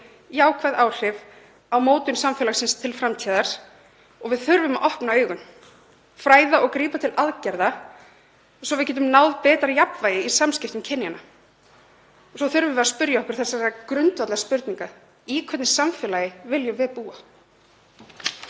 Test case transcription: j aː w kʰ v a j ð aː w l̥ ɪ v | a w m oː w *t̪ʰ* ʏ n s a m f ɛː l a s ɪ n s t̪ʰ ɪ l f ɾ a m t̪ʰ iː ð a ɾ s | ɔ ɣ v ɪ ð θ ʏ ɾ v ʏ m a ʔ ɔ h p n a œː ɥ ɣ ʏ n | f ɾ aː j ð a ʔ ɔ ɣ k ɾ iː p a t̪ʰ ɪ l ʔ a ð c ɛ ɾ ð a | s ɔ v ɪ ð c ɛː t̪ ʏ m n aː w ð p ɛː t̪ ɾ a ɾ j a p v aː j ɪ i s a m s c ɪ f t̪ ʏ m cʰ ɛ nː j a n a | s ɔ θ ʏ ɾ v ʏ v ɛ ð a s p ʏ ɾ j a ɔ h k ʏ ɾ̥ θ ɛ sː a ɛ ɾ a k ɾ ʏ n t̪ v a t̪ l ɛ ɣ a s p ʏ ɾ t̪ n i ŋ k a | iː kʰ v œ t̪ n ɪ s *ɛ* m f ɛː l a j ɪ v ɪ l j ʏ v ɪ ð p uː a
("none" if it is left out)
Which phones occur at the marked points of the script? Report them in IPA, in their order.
t̪, a

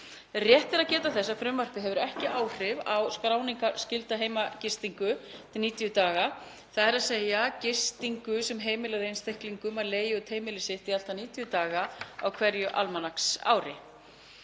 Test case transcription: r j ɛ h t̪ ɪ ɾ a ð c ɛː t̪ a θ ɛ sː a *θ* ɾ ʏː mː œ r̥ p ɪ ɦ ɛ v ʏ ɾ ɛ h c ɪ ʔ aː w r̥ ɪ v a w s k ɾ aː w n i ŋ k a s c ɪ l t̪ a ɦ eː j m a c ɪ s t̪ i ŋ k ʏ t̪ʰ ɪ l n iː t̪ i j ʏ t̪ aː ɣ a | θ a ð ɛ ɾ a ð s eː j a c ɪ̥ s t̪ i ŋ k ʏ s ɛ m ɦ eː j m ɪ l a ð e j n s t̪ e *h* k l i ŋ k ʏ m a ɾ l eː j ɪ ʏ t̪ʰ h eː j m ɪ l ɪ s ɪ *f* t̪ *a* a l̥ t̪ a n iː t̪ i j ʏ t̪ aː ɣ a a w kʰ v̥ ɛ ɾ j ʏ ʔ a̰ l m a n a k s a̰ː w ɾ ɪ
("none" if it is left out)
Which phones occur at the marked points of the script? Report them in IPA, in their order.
f, h, h, i

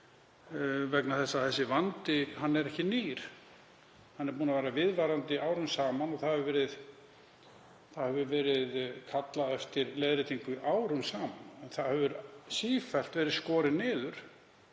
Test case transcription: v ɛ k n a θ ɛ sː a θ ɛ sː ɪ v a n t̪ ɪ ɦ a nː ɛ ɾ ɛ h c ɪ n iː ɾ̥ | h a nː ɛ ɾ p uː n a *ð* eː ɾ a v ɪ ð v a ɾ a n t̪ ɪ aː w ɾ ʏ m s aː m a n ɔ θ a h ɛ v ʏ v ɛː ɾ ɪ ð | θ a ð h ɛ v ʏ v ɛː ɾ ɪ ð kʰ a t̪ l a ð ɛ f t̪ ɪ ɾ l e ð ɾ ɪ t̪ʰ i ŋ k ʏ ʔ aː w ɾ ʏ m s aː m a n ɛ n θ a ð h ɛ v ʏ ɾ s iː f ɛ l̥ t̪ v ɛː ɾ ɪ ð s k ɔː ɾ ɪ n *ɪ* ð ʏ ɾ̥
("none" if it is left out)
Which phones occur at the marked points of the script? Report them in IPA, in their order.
v, ɪː

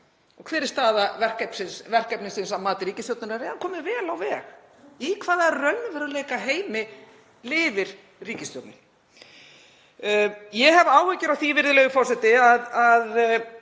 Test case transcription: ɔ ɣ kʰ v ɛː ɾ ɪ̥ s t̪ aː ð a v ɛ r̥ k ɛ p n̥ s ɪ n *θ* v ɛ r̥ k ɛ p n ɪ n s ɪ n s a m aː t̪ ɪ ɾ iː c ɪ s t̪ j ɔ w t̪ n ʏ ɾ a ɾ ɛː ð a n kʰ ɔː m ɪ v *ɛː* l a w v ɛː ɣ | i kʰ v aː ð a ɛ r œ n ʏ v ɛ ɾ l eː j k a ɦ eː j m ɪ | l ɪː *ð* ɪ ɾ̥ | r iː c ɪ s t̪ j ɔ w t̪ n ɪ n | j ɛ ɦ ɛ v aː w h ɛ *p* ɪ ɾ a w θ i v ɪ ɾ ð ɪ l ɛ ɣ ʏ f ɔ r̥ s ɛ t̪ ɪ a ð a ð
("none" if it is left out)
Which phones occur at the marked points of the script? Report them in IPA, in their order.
s, ɛː, v, c

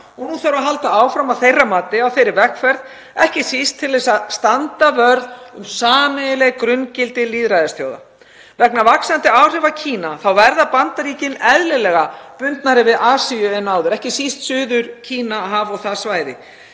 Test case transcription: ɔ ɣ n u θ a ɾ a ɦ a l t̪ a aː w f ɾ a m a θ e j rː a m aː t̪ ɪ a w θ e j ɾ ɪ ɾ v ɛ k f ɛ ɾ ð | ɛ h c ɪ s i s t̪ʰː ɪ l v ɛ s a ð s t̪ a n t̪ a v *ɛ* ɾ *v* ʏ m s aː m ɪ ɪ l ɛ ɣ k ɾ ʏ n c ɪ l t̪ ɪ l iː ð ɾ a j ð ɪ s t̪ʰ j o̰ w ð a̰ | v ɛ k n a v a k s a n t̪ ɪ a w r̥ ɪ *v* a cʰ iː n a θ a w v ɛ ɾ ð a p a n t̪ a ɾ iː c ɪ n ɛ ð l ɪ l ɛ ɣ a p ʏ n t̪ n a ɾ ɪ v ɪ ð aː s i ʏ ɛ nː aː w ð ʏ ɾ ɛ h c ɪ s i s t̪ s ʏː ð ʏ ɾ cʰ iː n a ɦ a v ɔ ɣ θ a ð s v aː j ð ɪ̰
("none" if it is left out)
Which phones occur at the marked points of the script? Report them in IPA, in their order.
œ, ð, v

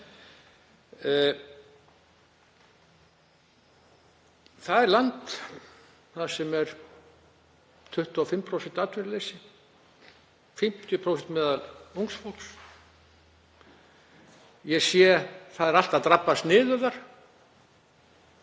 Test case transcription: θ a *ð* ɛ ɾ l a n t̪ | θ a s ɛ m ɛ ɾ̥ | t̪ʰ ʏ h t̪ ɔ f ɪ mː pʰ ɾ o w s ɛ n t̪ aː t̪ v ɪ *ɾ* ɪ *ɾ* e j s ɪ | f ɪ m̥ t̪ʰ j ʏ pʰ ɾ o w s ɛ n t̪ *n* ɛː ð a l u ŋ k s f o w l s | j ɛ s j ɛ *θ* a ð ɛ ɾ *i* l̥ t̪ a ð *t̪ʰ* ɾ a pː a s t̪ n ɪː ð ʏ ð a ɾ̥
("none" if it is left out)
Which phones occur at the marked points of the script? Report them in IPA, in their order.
ð, ɾ, l, m, θ, a, t̪

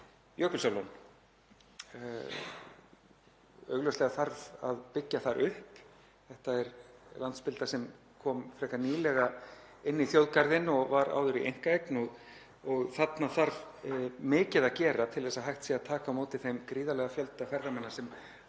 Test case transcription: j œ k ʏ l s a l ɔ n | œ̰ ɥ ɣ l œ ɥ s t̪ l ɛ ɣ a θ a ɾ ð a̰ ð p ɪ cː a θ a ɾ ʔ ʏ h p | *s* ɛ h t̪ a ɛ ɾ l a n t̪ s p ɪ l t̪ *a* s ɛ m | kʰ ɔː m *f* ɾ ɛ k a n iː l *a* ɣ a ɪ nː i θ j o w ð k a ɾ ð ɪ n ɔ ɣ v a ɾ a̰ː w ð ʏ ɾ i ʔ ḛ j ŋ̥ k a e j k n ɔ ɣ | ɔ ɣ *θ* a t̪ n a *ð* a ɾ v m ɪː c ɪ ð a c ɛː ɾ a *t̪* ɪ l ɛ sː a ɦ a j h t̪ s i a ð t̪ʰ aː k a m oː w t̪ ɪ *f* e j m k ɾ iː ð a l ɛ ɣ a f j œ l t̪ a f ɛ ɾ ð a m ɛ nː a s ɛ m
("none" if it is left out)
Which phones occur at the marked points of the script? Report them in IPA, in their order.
θ, a, f, ɛ, θ, θ, t̪ʰ, θ

